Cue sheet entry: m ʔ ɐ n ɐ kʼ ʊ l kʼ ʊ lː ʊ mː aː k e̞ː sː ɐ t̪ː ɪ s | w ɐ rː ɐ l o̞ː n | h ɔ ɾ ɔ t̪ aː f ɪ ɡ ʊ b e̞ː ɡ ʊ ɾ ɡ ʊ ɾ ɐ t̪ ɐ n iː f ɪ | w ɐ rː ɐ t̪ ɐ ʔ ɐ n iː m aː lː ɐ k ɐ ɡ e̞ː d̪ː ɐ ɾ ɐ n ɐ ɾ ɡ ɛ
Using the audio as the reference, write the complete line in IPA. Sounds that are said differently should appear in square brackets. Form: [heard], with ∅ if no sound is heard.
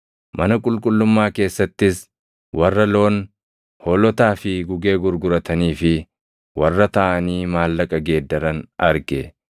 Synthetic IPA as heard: m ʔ ɐ n ɐ kʼ ʊ l kʼ ʊ lː ʊ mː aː k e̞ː sː ɐ t̪ː ɪ s | w ɐ rː ɐ l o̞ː n | h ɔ [l] ɔ t̪ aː f ɪ ɡ ʊ [ɡ] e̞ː ɡ ʊ ɾ ɡ ʊ ɾ ɐ t̪ ɐ n iː f ɪ | w ɐ rː ɐ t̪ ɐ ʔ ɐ n iː m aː lː ɐ [kʼ] ɐ ɡ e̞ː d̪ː ɐ ɾ ɐ n ɐ ɾ ɡ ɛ